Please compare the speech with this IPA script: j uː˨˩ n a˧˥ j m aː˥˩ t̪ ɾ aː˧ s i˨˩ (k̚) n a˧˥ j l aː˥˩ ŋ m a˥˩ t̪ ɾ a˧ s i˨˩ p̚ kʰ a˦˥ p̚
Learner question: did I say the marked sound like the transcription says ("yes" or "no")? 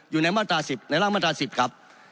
no